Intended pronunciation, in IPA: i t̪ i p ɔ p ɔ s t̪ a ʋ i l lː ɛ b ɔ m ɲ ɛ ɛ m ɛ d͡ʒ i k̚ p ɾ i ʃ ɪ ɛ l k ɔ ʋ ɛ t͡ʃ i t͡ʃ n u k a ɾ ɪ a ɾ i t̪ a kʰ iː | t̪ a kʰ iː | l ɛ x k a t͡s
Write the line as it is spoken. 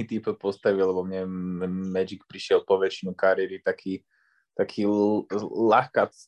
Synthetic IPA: i t̪ i p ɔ p ɔ s t̪ a ʋ i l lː ɛ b ɔ m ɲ ɛ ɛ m ɛ d͡ʒ i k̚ p ɾ i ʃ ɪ ɛ l p ɔ ʋ ɛ t͡ʃ i n u k a ɾ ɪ ɛ ɾ i t̪ a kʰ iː | t̪ a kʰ iː | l a x k a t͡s